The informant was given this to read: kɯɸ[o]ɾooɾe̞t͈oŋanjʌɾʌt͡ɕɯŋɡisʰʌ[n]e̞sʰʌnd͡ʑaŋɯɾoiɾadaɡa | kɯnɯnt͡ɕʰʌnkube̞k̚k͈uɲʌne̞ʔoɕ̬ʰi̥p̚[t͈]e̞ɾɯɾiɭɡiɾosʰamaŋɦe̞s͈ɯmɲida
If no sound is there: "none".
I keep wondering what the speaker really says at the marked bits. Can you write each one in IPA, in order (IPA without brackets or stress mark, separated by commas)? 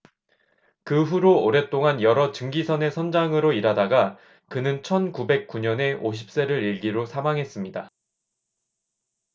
u, n, s͈